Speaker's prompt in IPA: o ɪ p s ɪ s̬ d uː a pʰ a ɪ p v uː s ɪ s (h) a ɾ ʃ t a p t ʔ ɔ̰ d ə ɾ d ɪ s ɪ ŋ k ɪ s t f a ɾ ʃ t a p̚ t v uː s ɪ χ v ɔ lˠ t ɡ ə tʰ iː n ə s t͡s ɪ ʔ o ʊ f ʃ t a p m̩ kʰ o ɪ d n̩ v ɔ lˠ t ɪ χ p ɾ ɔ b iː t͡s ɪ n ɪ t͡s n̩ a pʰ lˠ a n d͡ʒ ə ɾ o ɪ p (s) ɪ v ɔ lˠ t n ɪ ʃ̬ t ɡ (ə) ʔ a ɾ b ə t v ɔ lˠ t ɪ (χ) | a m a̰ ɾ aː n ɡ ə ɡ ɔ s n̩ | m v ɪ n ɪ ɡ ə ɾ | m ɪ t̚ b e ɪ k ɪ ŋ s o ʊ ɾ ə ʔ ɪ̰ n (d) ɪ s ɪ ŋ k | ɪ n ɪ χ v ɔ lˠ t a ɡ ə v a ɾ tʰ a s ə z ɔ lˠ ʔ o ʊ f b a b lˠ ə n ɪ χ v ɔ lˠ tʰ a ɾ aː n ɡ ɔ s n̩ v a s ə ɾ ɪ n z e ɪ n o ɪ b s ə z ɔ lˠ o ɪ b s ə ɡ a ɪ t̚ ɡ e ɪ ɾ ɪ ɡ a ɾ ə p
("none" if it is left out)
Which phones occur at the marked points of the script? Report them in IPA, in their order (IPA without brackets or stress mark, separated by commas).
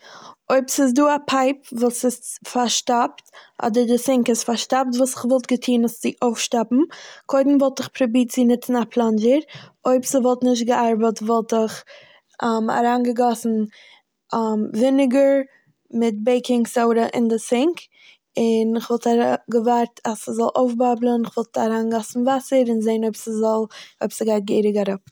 f, s, ə, χ, d